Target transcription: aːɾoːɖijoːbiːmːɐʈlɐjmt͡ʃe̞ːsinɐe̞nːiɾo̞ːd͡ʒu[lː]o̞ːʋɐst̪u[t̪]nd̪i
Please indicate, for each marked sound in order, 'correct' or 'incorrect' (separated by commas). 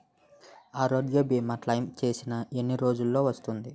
correct, incorrect